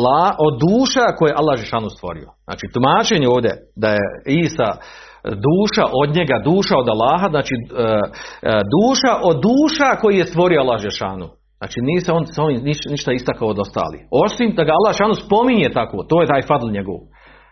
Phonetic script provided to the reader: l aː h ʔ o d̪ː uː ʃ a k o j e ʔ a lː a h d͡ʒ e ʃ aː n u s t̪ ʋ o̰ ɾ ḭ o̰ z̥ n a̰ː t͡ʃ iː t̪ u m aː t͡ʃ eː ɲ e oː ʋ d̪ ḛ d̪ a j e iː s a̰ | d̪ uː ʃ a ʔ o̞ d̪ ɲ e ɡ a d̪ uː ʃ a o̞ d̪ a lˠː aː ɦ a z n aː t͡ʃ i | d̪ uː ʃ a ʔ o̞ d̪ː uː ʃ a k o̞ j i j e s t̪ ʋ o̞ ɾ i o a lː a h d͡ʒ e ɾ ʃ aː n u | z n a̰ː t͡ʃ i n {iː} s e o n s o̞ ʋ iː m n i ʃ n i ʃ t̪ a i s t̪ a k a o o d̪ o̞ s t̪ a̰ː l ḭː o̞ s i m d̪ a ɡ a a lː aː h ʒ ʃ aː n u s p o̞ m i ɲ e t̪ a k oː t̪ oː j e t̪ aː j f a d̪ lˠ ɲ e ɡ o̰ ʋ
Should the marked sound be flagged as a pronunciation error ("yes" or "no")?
no